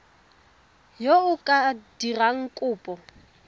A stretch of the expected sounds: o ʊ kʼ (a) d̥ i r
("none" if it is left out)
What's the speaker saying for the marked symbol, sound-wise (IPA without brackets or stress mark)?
a